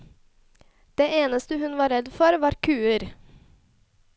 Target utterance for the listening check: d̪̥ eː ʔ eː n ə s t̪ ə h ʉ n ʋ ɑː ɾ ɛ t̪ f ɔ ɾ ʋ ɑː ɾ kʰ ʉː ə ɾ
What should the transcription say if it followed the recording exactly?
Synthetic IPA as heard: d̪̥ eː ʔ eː n ə s t̪ ə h ʉ n ʋ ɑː ɾ ɛ d̪ f ɔ ɾ ʋ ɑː ɾ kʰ ʉː ə ɾ